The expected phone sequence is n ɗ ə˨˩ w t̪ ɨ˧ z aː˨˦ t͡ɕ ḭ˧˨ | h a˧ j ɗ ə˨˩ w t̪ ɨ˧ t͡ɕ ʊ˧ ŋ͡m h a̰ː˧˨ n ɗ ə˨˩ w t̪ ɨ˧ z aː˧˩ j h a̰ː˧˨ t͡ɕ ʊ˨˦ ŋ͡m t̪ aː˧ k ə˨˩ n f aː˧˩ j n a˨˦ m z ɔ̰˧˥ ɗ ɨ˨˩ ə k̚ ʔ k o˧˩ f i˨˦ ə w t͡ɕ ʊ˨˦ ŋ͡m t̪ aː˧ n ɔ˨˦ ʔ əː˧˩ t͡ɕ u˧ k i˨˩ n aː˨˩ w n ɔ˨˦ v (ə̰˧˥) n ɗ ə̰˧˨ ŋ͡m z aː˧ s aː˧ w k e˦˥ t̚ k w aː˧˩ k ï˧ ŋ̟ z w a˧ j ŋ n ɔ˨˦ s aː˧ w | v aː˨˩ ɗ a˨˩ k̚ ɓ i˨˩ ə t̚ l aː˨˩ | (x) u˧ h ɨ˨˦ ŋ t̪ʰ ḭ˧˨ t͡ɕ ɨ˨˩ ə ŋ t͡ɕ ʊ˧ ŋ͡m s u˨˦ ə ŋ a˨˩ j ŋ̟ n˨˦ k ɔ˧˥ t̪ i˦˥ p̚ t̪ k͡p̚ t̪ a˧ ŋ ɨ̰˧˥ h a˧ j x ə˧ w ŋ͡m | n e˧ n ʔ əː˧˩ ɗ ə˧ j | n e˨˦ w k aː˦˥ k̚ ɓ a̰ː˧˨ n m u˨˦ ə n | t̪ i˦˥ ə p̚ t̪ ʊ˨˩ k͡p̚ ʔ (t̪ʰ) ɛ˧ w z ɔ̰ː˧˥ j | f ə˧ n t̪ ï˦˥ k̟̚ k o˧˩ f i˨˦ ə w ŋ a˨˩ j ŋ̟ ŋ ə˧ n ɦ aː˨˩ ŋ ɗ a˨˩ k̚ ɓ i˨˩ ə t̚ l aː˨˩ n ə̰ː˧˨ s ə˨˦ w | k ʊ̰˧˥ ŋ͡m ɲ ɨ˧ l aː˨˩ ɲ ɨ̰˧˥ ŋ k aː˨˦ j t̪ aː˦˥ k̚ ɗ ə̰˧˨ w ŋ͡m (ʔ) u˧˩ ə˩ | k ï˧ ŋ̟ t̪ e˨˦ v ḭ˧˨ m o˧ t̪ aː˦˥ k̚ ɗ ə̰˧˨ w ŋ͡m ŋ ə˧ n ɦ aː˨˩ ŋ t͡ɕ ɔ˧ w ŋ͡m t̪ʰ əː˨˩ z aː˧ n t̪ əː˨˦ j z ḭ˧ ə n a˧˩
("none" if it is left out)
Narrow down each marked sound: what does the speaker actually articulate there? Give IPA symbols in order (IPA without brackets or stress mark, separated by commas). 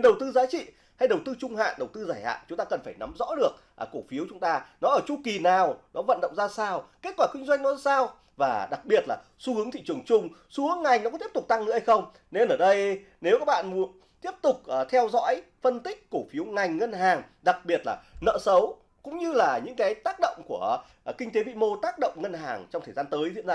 ə̰˧˨, s, t̪ʰ, k